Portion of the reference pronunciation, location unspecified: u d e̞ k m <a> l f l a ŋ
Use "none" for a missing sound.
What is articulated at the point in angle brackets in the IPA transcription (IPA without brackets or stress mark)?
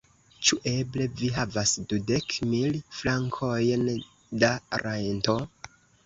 i